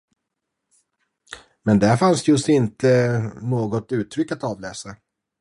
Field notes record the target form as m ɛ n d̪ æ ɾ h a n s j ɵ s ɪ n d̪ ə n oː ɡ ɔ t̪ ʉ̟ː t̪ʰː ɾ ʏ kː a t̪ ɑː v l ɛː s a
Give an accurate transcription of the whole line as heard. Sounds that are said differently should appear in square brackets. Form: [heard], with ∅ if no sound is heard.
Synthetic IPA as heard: m ɛ n d̪ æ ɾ [f] a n s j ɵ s ɪ n [t̪] ə n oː ɡ ɔ t̪ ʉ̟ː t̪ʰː ɾ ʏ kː a t̪ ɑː v l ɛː s a